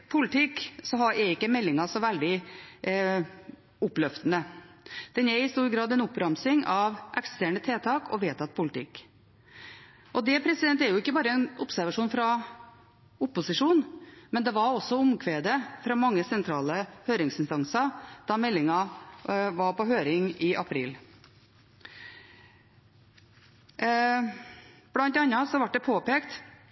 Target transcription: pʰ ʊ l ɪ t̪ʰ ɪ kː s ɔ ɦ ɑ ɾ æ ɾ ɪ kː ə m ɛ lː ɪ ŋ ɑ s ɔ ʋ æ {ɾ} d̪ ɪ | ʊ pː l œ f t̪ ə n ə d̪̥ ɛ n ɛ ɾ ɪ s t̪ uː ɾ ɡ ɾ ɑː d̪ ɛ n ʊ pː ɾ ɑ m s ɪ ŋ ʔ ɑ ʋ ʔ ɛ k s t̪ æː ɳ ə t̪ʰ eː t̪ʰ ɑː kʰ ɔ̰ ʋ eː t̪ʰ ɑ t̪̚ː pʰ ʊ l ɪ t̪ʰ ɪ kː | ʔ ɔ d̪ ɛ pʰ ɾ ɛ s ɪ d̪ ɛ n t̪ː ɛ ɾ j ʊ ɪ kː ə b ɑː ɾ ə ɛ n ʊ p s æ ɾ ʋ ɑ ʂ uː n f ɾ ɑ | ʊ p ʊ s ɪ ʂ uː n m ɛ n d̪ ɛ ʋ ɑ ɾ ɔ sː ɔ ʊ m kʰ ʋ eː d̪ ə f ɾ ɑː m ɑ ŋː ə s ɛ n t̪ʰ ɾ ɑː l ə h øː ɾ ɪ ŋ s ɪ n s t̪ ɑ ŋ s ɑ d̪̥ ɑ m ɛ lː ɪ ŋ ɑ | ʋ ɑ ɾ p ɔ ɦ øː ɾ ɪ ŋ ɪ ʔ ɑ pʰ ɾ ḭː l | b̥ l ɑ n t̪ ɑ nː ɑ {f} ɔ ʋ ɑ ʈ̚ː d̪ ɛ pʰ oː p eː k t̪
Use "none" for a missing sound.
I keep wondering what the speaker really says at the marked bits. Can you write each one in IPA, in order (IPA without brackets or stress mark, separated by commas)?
l, s